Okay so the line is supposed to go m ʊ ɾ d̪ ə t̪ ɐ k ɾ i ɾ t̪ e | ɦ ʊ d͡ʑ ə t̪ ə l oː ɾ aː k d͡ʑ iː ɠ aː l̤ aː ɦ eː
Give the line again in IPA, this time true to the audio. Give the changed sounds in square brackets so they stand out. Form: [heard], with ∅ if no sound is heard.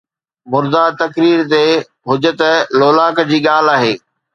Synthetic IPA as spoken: m ʊ ɾ d̪ [a] t̪ ɐ k ɾ [iː] ɾ t̪ e | ɦ ʊ d͡ʑ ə t̪ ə l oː [l] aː k d͡ʑ iː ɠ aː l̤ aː ɦ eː